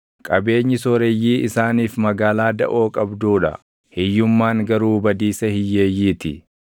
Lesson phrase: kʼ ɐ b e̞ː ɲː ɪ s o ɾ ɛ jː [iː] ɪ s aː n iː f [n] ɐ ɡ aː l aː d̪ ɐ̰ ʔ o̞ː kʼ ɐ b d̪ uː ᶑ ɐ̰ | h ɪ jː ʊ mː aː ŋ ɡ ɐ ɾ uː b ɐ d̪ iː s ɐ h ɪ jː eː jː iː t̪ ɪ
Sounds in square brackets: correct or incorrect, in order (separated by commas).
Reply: correct, incorrect